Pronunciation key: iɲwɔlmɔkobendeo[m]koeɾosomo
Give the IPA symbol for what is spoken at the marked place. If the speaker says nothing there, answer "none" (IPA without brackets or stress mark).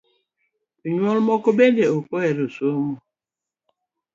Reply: none